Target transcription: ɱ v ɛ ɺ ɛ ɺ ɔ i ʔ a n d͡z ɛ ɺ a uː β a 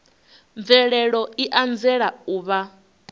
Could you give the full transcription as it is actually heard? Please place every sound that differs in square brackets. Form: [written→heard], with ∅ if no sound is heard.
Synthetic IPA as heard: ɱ v ɛ ɺ ɛ ɺ ɔ i ʔ a n d͡z ɛ ɺ a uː β a